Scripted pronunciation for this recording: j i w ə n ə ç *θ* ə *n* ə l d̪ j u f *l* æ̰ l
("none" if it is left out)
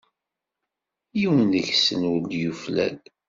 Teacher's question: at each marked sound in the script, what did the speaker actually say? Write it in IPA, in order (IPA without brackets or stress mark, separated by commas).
s, n, l